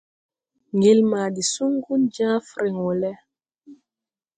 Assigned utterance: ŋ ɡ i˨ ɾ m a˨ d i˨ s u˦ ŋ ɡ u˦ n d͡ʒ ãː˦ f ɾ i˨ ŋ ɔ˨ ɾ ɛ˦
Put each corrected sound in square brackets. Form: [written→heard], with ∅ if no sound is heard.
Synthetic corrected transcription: ŋ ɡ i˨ [ɾ→l] m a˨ d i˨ s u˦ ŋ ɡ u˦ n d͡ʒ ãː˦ f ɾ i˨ ŋ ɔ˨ [ɾ→l] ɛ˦

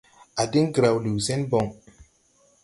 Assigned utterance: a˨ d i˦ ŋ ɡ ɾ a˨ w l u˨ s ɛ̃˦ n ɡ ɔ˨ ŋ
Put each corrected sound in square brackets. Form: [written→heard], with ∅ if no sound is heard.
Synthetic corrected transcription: a˨ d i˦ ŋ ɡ ɾ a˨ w l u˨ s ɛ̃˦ n [ɡ→b] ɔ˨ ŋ

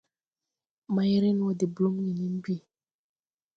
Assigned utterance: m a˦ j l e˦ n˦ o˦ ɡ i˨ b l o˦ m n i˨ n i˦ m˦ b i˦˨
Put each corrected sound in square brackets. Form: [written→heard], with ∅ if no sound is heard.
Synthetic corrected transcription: m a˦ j [l→ɾ] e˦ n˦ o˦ [ɡ→d] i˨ b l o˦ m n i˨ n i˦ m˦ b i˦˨

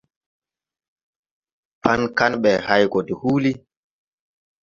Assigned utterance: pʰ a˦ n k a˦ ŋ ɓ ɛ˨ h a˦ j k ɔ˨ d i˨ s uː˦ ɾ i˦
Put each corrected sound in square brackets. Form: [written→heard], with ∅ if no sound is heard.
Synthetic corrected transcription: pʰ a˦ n k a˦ [ŋ→n] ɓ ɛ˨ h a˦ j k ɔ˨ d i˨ [s→h] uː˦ [ɾ→l] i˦

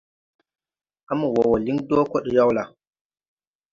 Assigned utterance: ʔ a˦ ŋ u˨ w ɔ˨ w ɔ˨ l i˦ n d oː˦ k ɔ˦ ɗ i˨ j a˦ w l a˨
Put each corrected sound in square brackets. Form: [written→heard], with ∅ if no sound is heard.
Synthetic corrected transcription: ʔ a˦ [ŋ→m] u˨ w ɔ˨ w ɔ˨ l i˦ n d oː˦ k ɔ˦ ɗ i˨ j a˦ w l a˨

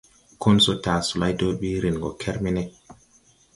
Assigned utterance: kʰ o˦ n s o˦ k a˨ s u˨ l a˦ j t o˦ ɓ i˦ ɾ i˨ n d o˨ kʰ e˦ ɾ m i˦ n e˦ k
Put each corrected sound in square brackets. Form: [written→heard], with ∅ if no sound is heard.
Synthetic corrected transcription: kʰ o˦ n s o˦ [k→t] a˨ s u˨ l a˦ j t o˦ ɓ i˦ ɾ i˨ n [d→ɡ] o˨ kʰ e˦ ɾ m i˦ n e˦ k

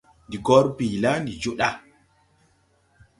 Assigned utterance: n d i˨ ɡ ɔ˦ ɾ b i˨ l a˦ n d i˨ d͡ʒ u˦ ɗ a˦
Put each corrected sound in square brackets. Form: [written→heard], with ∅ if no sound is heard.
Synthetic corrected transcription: n d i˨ ɡ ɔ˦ ɾ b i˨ l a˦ n d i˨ d͡ʒ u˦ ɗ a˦

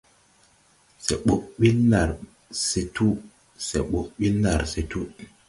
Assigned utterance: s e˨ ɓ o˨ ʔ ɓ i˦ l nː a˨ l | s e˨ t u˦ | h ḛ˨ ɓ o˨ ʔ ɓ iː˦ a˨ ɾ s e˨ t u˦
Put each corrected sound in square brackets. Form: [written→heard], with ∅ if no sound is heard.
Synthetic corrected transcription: s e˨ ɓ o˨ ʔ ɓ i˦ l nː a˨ [l→ɾ] | s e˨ t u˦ | [h→s] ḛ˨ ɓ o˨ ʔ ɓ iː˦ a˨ ɾ s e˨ t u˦

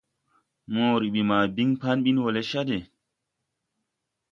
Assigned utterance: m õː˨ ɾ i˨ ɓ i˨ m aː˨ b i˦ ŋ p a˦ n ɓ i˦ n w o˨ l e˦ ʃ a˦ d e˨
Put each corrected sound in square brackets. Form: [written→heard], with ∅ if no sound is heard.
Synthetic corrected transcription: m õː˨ ɾ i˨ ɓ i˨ m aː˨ b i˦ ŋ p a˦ n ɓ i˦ n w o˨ l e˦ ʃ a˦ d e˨

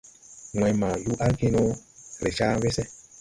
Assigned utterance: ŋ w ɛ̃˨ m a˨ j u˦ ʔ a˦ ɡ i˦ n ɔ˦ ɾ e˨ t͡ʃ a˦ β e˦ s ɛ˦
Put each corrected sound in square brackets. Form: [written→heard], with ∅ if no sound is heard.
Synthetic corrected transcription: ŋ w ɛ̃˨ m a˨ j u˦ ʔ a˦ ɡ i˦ n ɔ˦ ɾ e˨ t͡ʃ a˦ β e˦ s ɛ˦

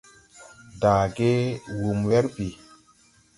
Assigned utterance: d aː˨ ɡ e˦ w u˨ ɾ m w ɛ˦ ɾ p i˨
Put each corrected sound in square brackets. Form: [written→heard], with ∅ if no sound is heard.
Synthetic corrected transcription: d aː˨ ɡ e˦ w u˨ [ɾ→∅] m w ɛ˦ ɾ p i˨

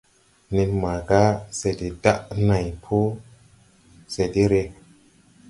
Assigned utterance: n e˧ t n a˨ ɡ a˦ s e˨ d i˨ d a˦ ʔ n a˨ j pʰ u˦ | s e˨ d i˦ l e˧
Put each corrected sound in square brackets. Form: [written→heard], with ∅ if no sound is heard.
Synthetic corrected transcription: n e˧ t [n→m] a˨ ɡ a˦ s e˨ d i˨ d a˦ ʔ n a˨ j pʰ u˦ | s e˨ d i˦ [l→ɾ] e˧

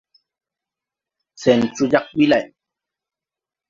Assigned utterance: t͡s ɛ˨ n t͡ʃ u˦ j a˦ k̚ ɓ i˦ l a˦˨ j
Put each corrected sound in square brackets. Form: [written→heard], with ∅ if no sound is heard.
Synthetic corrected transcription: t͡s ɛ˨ n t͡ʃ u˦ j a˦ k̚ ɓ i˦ l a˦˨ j

